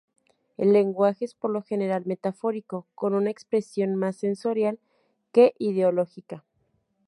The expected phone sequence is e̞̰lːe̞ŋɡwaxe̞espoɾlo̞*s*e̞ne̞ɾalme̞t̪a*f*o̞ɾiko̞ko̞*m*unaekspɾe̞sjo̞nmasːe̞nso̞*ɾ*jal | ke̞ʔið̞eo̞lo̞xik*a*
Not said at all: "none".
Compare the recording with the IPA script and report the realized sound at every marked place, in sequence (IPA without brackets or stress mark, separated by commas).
x, f, n, ɾ, a